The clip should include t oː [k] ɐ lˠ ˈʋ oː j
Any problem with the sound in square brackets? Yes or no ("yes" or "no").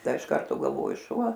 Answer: yes